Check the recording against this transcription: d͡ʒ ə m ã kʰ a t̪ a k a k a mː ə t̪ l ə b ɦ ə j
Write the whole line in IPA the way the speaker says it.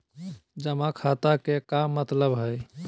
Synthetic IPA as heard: d͡ʒ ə m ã kʰ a t̪ a k e k a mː ə t̪ l ə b ɦ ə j

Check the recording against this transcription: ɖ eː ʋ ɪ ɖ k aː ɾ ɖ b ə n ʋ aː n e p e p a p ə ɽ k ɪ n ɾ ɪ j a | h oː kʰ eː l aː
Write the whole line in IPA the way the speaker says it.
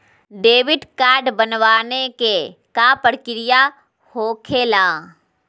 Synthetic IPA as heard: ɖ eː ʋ ɪ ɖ k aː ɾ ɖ b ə n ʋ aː n e k e k a p ə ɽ k ɪ ɾ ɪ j a | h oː kʰ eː l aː

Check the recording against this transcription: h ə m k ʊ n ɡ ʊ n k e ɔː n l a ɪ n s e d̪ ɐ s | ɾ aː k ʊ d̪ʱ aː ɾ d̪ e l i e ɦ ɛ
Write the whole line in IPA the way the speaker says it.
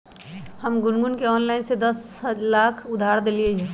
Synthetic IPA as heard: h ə m ɡ ʊ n ɡ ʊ n k e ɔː n l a ɪ n s e d̪ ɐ s | l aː kʰ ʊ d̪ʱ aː ɾ d̪ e l i e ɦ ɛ

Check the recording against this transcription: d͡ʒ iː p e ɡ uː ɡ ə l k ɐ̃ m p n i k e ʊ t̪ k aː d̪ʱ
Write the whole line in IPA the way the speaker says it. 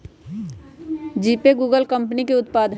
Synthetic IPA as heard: d͡ʒ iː p e ɡ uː ɡ ə l k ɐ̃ m p n i k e ʊ t̪ p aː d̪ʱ

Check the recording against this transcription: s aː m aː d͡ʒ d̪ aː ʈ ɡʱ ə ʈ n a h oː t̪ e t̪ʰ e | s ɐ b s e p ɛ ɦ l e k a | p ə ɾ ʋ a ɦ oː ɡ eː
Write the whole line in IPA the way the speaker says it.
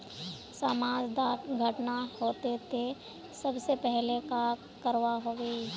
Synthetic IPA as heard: s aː m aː d͡ʒ d̪ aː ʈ ɡʱ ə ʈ n a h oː t̪ e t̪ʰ e | s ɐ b s e p ɛ ɦ l e k a | k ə ɾ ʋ a ɦ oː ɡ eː

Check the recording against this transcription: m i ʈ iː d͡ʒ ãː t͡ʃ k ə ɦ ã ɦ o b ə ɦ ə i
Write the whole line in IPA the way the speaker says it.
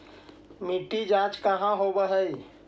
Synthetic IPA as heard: m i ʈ i d͡ʒ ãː t͡ʃ k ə ɦ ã ɦ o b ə ɦ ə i

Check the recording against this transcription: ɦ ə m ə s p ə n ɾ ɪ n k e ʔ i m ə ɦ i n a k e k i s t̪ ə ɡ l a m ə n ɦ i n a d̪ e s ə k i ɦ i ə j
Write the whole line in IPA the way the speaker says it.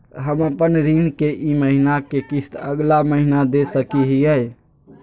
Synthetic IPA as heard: ɦ ə m ə p ə n ɾ i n k e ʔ i m ə ɦ i n a k e k i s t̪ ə ɡ l a m ə ɦ i n a d̪ e s ə k i ɦ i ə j

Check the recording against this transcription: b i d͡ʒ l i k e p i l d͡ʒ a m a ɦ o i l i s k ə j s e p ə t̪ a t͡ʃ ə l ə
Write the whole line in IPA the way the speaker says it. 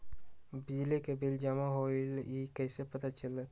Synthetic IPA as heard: b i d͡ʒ l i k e b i l d͡ʒ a m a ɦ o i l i k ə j s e p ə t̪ a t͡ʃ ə l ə

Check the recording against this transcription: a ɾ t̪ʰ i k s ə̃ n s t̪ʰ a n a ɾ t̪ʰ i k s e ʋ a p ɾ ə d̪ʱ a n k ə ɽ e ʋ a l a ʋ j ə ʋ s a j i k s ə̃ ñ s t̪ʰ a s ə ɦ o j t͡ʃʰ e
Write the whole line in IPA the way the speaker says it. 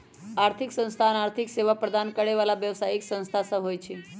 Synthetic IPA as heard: a ɾ t̪ʰ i k s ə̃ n s t̪ʰ a n a ɾ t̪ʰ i k s e ʋ a p ɾ ə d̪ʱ a n k ə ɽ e ʋ a l a ʋ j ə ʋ s a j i k s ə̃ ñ s t̪ʰ a s ə ɦ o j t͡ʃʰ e

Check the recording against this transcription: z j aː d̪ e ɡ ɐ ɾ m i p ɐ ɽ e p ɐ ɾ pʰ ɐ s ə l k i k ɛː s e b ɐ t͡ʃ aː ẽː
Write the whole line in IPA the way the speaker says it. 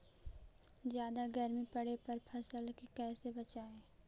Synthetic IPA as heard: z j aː d̪ a ɡ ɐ ɾ m i p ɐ ɽ e p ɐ ɾ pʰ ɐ s ə l k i k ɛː s e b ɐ t͡ʃ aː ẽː

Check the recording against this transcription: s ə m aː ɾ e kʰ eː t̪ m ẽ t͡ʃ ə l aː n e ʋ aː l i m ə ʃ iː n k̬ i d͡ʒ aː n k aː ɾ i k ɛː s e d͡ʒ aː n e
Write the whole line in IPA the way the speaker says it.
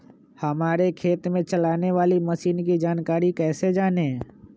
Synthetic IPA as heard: h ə m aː ɾ e kʰ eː t̪ m ẽ t͡ʃ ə l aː n e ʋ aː l i m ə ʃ iː n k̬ i d͡ʒ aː n k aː ɾ i k ɛː s e d͡ʒ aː n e

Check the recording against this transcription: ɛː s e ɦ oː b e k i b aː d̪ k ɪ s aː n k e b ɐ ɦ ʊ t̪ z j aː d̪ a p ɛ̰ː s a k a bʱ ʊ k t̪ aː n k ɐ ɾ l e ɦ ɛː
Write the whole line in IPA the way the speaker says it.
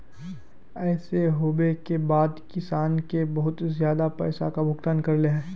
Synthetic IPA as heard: ɛː s e ɦ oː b e k e b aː d̪ k ɪ s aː n k e b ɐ ɦ ʊ t̪ z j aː d̪ a p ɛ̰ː s a k a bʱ ʊ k t̪ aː n k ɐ ɾ l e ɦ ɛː

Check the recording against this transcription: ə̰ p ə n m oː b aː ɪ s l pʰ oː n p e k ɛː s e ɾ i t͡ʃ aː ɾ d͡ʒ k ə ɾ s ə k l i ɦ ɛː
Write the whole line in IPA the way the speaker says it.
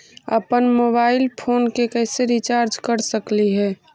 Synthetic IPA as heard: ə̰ p ə n m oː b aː ɪ l pʰ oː n k e k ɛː s e ɾ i t͡ʃ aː ɾ d͡ʒ k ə ɾ s ə k l i ɦ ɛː

